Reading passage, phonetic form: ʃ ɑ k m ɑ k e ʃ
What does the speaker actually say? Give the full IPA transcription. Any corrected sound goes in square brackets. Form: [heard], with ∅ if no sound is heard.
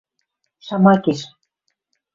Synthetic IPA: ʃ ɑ [∅] m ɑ k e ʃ